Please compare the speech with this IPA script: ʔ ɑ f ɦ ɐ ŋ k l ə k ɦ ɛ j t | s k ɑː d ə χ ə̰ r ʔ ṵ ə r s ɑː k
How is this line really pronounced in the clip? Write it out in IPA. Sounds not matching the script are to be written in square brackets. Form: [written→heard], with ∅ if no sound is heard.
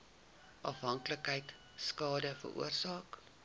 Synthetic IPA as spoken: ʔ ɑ f ɦ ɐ ŋ k l ə k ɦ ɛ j t | s k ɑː d ə [χ→f] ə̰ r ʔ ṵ ə r s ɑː k